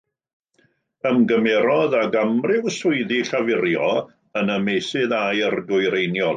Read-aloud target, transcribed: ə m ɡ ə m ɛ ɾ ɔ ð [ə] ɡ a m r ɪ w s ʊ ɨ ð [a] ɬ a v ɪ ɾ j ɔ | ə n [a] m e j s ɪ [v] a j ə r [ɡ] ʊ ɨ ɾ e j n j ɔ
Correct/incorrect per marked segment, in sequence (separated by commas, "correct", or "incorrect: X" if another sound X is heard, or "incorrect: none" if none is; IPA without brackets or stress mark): incorrect: a, incorrect: i, incorrect: ə, incorrect: ð, correct